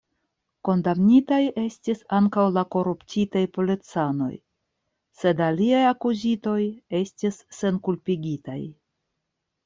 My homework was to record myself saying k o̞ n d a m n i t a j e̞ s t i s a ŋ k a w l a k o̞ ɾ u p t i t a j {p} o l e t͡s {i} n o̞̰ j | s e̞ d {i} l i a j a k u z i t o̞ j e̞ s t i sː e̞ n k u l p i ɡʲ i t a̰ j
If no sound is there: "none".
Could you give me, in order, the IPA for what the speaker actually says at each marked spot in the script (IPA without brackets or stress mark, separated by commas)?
p, a, a